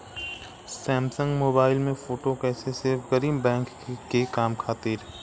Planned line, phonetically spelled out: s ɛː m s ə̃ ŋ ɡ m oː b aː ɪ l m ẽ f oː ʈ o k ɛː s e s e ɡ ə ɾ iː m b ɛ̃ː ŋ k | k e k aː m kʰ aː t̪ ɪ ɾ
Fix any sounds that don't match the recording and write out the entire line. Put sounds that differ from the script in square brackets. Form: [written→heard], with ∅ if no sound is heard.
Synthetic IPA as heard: s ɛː m s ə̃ ŋ ɡ m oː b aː ɪ l m ẽ f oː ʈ o k ɛː s e s e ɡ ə ɾ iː m b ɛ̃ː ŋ k | k e k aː m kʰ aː t̪ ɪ ɾ